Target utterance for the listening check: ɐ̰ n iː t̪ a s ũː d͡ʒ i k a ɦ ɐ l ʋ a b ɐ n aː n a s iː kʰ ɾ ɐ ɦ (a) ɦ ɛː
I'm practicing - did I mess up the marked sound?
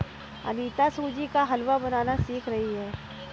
yes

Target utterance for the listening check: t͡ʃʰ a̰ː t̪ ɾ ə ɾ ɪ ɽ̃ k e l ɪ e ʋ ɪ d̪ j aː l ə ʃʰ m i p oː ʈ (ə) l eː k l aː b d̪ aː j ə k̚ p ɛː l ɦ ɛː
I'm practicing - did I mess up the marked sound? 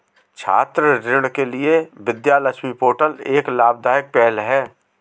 no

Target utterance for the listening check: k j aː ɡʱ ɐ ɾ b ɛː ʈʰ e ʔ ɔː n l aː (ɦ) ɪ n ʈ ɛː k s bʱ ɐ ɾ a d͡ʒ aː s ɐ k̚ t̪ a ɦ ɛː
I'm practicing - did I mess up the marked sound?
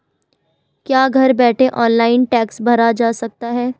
yes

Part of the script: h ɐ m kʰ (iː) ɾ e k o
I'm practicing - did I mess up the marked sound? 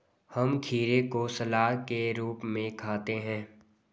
no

